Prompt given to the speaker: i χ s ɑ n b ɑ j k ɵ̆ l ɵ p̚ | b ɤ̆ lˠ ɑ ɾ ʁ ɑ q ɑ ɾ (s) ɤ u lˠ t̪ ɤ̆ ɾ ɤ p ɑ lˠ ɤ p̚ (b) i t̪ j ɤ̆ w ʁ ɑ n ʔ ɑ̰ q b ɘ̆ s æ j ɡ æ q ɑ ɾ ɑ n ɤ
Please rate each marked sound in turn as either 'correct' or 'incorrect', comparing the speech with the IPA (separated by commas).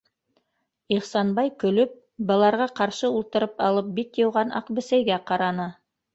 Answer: incorrect, correct